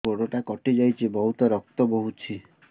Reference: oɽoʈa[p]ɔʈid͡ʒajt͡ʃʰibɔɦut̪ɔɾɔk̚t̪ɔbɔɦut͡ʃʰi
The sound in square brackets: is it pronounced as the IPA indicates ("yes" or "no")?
no